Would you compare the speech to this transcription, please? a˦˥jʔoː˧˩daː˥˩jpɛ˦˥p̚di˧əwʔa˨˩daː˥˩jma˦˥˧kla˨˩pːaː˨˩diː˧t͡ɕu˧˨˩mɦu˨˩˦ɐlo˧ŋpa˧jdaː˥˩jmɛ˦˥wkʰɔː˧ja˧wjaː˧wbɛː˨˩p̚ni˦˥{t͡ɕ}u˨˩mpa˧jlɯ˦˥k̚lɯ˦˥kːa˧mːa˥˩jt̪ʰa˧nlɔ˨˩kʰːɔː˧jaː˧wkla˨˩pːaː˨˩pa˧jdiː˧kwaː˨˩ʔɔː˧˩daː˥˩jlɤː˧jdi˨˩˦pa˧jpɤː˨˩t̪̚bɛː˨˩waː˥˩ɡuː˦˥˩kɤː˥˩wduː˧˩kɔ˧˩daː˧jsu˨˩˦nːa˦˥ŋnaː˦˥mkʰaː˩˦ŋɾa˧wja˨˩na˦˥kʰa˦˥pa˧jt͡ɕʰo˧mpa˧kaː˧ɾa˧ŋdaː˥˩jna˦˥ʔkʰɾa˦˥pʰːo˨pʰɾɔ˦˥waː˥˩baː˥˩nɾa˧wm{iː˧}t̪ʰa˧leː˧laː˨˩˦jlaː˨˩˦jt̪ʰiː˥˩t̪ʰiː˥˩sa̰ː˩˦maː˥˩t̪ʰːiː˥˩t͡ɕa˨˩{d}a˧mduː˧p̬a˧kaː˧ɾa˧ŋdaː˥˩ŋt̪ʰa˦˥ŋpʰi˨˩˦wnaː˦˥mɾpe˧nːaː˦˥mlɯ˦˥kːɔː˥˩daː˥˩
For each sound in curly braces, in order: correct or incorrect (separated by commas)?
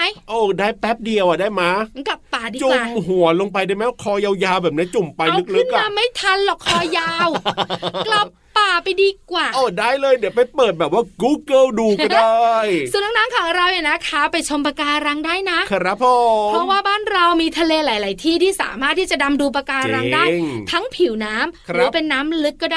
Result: correct, correct, correct